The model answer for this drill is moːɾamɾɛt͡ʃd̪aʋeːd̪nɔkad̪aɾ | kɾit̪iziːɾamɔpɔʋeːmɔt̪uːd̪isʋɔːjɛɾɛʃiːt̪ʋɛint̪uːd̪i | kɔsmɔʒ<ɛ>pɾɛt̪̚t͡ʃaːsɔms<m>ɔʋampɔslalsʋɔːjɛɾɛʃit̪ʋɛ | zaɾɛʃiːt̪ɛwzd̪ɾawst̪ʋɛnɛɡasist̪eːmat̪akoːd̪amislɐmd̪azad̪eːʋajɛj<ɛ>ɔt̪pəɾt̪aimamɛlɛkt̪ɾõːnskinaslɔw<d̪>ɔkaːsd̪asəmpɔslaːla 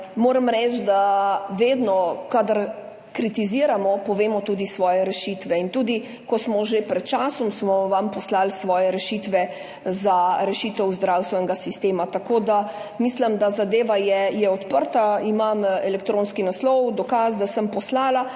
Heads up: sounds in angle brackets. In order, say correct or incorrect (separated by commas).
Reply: incorrect, correct, correct, correct